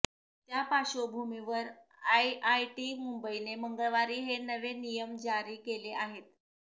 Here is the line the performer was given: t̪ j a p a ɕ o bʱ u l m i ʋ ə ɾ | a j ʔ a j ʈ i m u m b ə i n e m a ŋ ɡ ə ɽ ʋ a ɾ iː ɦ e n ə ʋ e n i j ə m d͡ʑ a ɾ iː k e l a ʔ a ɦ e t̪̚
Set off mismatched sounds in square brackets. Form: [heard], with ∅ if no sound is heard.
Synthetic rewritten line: t̪ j a p a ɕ o bʱ u [∅] m i ʋ ə ɾ | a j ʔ a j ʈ i m u m b ə i n e m [ə] ŋ ɡ ə [ɭ] ʋ a ɾ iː ɦ e n ə ʋ e n i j ə m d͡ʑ a ɾ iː k e l [e] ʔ a ɦ e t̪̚